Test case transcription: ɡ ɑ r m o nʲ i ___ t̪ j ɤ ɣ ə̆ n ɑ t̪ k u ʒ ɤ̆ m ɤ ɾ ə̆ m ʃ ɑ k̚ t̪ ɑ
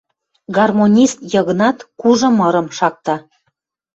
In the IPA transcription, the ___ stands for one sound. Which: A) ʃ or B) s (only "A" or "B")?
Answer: B